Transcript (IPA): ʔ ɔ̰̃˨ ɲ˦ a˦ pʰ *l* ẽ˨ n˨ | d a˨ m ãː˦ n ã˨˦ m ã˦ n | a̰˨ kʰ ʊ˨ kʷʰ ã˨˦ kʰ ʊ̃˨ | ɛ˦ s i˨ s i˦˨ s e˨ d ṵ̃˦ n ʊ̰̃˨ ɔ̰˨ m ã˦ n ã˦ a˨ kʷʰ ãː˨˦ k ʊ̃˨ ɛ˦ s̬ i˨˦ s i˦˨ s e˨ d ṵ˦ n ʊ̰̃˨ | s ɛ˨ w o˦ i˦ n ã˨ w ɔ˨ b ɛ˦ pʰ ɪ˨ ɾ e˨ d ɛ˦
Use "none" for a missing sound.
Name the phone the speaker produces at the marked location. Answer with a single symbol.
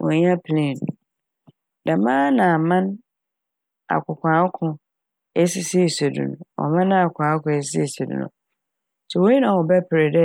l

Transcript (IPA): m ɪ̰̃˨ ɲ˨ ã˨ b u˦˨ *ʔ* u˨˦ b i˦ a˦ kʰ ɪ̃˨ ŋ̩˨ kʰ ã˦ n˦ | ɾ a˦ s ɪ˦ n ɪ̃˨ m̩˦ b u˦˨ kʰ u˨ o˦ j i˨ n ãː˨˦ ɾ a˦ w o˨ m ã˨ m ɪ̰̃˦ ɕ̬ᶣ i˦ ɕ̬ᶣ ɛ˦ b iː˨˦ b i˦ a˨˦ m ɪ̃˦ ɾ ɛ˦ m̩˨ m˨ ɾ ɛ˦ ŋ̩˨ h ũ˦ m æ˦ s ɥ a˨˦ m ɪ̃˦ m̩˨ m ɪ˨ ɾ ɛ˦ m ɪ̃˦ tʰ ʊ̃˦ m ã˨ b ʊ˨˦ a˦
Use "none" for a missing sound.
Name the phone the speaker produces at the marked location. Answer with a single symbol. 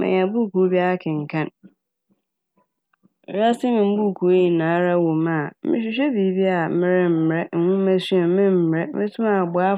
k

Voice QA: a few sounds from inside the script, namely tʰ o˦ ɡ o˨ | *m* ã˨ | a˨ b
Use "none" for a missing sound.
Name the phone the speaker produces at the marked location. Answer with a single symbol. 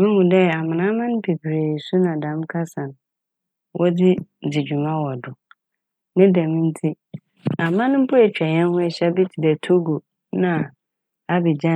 n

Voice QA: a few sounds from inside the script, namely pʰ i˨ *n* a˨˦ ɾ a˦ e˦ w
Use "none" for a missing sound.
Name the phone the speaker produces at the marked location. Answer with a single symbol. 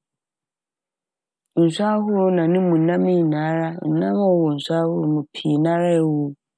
n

